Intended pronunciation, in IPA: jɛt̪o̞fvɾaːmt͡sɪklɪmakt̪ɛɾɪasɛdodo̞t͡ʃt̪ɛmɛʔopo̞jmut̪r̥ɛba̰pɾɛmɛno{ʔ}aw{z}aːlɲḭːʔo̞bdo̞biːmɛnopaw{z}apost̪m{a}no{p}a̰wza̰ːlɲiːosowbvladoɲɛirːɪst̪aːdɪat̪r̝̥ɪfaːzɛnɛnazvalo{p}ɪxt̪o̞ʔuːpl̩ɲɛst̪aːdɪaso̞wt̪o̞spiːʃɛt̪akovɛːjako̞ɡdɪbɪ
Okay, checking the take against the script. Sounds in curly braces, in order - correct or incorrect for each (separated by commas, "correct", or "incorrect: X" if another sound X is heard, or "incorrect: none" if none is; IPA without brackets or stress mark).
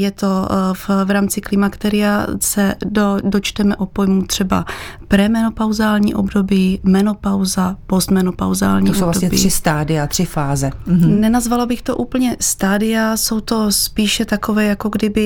incorrect: p, correct, correct, incorrect: ɛ, correct, incorrect: b